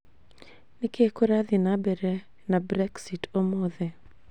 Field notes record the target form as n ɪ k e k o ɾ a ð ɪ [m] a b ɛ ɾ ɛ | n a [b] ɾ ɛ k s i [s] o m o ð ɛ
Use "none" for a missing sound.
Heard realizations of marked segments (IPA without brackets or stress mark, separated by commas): n, b, t